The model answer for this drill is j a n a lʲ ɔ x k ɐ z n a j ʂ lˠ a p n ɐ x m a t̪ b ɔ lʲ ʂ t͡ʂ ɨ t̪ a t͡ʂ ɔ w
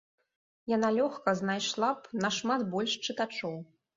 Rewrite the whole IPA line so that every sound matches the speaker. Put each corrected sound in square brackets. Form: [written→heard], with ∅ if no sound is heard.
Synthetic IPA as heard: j a n a lʲ ɔ x k ɐ z n a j ʂ lˠ a p n ɐ [x→ʂ] m a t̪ b ɔ lʲ ʂ t͡ʂ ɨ t̪ a t͡ʂ ɔ w